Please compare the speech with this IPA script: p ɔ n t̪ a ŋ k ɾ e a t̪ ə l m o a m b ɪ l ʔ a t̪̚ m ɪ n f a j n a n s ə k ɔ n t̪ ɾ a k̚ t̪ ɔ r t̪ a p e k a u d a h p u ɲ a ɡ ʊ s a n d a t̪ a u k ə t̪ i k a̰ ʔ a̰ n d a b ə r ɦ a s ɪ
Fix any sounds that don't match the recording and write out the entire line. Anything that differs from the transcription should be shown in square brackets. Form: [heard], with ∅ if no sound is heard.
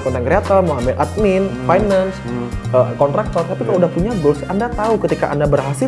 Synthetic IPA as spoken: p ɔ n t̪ a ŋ k ɾ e a t̪ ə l m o a m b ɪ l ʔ a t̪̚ m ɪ n f a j n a n s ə k ɔ n t̪ ɾ a k̚ t̪ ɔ r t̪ a p [i] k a u d a h p u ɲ a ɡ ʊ s a n d a t̪ a u k ə t̪ i k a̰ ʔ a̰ n d a b ə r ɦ a s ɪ